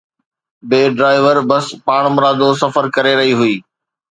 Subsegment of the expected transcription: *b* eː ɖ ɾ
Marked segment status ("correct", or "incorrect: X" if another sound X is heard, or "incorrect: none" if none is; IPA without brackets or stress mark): correct